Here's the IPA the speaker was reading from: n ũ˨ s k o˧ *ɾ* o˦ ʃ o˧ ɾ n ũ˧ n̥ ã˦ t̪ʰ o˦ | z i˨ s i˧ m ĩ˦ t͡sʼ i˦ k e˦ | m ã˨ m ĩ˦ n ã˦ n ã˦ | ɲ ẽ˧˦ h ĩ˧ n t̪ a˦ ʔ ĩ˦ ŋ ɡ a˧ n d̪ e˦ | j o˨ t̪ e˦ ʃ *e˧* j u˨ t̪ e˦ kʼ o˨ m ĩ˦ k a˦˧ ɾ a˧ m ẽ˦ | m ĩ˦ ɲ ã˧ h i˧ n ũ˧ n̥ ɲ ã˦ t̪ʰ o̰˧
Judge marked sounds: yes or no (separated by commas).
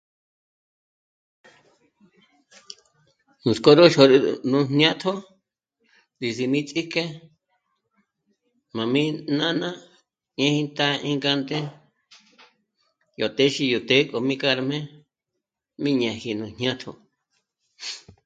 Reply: yes, no